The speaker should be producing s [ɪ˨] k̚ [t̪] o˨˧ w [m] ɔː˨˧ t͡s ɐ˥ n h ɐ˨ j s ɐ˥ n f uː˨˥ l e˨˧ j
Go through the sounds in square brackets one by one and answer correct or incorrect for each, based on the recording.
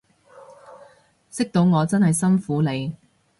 incorrect, correct, incorrect

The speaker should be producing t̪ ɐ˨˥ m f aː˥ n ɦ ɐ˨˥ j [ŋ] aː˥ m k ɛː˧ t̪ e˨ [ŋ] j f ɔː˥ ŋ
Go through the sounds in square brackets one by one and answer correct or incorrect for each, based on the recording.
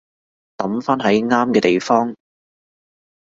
correct, incorrect

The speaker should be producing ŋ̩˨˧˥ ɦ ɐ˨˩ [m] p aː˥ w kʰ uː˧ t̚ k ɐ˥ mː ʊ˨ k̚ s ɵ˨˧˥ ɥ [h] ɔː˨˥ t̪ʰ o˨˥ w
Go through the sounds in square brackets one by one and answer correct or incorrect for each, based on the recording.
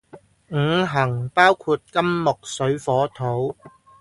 incorrect, incorrect

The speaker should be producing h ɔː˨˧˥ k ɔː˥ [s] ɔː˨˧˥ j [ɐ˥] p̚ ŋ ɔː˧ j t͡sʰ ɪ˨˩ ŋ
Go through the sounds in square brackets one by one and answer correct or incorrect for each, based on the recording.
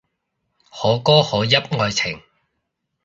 incorrect, correct

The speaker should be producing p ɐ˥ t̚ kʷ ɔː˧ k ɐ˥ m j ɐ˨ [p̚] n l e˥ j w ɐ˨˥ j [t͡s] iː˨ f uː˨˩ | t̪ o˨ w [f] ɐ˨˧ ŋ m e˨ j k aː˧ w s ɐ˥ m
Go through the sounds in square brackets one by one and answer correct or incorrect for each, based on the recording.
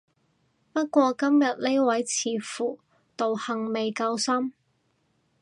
incorrect, incorrect, incorrect

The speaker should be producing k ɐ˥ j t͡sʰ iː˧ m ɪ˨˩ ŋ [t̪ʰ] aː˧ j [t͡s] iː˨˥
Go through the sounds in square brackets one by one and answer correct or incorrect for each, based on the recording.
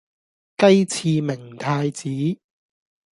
correct, correct

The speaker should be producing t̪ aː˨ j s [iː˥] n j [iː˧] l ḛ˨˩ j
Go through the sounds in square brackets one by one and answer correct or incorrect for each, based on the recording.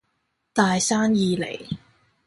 incorrect, correct

